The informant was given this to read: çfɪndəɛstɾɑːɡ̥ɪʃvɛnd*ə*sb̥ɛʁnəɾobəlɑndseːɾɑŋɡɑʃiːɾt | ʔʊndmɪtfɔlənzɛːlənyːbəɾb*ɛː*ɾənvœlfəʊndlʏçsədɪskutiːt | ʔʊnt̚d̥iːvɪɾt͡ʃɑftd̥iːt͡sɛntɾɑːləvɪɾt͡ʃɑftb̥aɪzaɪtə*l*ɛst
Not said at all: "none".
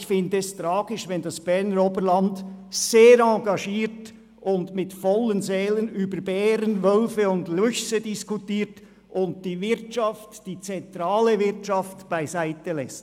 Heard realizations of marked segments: ɑ, ɛː, l

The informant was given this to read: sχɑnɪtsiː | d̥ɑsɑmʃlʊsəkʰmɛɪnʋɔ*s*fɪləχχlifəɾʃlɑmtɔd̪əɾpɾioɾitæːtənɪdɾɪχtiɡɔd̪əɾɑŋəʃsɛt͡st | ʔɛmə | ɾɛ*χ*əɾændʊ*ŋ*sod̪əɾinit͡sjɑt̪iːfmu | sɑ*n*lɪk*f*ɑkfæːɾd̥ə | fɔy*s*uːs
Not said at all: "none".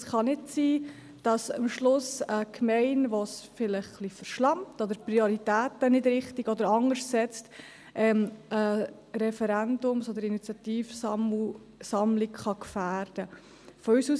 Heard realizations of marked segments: s, f, m, m, χ, s

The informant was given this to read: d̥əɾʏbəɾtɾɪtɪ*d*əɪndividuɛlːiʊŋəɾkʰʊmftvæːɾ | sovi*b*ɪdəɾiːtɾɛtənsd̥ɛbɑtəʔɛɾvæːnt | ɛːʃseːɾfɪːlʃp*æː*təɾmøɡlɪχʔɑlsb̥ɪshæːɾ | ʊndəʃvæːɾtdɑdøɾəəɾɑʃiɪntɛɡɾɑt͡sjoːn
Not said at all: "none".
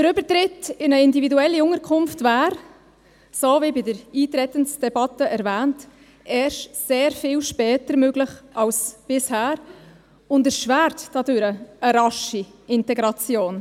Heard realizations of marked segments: n, b, ɛː

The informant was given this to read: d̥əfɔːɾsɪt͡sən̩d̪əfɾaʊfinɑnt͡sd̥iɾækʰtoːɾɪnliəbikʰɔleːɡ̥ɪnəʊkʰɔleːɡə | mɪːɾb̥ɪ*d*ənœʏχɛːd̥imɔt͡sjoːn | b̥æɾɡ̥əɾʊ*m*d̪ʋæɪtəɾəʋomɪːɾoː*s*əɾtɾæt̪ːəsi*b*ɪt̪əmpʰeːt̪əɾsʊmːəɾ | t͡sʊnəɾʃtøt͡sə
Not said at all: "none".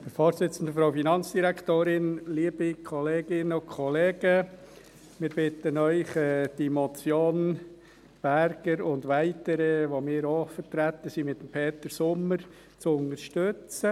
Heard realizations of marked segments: t, n, f, m

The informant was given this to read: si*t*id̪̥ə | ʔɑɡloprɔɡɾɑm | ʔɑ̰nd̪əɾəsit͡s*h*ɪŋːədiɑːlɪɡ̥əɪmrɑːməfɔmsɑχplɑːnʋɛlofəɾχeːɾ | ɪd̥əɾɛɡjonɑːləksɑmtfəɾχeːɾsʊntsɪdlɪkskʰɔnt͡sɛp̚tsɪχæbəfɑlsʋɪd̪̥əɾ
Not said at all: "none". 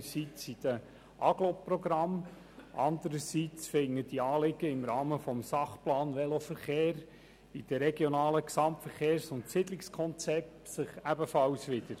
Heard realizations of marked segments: t͡s, f

